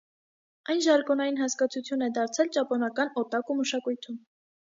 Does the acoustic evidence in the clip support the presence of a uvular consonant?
no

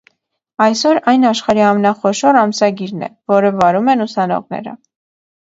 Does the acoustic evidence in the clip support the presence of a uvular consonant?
yes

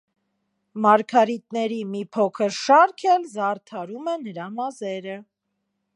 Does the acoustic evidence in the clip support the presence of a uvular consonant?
no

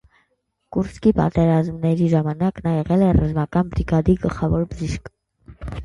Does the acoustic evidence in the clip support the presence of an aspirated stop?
no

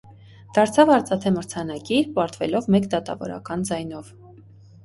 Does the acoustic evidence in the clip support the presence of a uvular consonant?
no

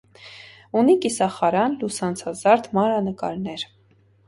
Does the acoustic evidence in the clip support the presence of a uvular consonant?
yes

